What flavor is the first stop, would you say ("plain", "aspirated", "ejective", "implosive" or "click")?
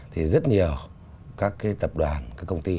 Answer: aspirated